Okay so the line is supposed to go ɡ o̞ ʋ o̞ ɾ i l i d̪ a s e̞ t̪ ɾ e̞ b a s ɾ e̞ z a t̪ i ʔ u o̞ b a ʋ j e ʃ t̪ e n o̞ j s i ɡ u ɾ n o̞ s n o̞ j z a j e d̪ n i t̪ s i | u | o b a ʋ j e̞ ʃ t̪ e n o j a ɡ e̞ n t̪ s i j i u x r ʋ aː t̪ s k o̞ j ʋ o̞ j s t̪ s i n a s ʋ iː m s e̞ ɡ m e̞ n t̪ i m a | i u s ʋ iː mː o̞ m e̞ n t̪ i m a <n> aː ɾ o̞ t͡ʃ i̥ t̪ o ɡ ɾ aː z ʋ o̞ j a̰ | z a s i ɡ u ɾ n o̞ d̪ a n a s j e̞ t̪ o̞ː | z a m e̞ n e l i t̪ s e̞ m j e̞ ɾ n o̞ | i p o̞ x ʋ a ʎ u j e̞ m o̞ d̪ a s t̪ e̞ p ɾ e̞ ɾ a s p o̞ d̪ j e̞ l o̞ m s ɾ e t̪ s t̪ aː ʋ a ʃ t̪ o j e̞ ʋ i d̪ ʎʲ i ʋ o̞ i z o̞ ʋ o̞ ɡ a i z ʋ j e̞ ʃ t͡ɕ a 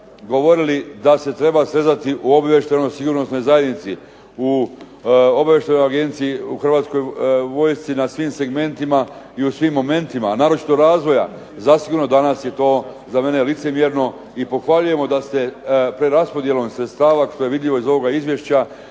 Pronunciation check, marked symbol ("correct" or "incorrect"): correct